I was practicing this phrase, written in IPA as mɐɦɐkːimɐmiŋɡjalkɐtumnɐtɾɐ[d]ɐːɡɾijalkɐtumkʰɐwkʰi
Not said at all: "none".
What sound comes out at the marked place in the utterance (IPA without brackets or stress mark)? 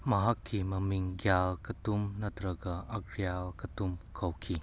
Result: ɡ